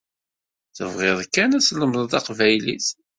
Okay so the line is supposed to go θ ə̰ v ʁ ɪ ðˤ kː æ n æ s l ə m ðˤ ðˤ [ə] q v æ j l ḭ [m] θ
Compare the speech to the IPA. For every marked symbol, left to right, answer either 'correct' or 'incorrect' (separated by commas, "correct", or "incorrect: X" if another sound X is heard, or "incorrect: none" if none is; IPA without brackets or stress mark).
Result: incorrect: ɑ, incorrect: none